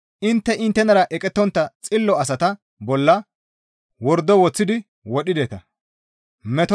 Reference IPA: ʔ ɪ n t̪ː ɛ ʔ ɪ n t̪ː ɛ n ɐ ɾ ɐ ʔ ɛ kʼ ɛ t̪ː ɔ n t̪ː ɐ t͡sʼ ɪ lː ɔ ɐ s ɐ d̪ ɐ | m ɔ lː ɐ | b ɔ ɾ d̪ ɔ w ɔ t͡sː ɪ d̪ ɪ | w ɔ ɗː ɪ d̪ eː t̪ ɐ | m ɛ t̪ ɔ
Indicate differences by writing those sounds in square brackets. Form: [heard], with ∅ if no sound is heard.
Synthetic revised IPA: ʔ ɪ n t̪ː ɛ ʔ ɪ n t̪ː ɛ n ɐ ɾ ɐ ʔ ɛ kʼ ɛ t̪ː ɔ n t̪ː ɐ t͡sʼ ɪ lː ɔ ɐ s ɐ [t̪] ɐ | [b] ɔ lː ɐ | [w] ɔ ɾ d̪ ɔ w ɔ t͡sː ɪ d̪ ɪ | w ɔ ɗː ɪ d̪ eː t̪ ɐ | m ɛ t̪ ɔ